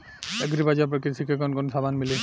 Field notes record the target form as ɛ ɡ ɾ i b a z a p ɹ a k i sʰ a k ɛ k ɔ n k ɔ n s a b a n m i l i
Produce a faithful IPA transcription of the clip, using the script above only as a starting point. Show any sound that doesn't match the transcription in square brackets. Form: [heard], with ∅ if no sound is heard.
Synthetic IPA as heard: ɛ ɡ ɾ i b a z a p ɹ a k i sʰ [i] k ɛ k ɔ n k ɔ n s a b a n m i l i